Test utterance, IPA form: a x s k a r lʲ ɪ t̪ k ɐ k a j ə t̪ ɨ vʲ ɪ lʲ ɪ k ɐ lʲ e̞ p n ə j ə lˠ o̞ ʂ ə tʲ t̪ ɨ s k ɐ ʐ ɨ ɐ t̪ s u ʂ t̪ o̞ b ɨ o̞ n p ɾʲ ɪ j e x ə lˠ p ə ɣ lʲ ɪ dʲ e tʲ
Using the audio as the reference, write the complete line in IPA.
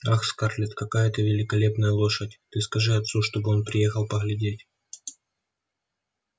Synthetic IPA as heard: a x s k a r lʲ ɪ t̪ k ɐ k a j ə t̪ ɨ vʲ ɪ lʲ ɪ k ɐ lʲ e̞ p n ə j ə lˠ o̞ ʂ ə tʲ t̪ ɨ s k ɐ ʐ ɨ ɐ t̪ s u ʂ t̪ o̞ b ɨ o̞ n p ɾʲ ɪ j e x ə lˠ p ə ɣ lʲ ɪ dʲ e tʲ